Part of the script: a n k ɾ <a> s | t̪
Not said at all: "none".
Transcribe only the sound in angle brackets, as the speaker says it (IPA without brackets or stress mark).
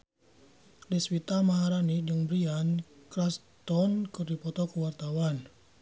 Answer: a